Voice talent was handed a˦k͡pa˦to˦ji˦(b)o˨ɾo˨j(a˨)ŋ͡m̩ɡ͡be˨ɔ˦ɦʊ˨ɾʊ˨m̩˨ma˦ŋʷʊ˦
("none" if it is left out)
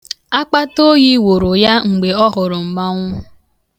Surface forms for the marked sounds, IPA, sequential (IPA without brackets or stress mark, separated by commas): w, a˦